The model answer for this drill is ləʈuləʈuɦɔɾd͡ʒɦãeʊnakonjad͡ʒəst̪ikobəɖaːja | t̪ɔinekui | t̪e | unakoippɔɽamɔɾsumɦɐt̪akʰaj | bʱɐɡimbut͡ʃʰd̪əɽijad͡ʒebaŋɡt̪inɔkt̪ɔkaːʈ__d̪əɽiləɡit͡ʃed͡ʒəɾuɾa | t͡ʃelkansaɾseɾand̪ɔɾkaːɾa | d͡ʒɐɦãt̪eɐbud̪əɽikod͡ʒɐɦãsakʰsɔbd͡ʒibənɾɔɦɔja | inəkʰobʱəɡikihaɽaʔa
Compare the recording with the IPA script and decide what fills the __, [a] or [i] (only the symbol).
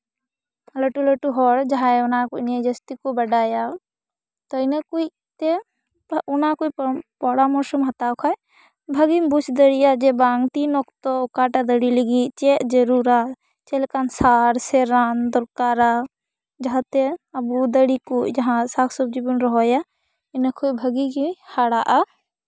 a